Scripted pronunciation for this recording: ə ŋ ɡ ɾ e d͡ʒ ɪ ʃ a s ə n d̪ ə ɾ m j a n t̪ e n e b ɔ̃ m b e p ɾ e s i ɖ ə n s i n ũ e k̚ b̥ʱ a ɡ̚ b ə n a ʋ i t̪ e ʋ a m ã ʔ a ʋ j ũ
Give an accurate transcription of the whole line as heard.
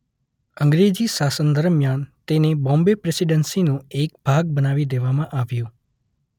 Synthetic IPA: ə ŋ ɡ ɾ e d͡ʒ i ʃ a s ə n d̪ ə ɾ m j a n t̪ e n e b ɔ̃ m b e p ɾ e s i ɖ ə n s i n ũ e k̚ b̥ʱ a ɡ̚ b ə n a ʋ i d̪ e ʋ a m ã ʔ a ʋ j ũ